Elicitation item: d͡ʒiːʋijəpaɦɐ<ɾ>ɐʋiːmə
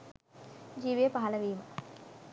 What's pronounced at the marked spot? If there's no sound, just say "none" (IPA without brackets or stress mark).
l